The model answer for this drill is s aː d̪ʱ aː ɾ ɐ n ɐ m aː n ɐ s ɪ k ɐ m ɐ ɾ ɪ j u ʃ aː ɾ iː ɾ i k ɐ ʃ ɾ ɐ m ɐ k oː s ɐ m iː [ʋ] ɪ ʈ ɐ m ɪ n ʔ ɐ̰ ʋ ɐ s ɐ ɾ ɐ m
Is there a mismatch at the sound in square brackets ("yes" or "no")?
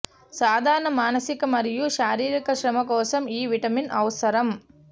no